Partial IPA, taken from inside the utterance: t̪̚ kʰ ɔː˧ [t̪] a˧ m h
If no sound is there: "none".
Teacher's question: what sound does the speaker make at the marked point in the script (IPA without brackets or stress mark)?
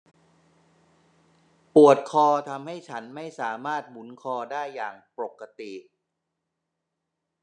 t̪ʰ